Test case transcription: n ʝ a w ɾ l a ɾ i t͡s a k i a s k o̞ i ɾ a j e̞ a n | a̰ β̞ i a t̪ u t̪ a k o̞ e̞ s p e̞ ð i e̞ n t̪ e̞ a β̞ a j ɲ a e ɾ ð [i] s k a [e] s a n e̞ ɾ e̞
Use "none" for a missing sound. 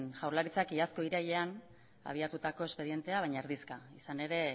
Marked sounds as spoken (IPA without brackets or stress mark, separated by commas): i, i